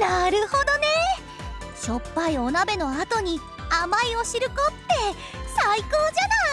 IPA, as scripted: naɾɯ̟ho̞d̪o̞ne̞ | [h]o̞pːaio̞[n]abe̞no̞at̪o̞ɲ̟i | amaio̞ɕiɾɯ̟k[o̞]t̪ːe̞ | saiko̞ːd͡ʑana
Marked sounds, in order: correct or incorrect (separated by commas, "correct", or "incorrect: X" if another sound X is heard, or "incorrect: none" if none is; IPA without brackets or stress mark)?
incorrect: ɕ, correct, correct